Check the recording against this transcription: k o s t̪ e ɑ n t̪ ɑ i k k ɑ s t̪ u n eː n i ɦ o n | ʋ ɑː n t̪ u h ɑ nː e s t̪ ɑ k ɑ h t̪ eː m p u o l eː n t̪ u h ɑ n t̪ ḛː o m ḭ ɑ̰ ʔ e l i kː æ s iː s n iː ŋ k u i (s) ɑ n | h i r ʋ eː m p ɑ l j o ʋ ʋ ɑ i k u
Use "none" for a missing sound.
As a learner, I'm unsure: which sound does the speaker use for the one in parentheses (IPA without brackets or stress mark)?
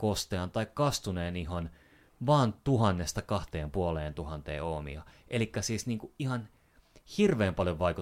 h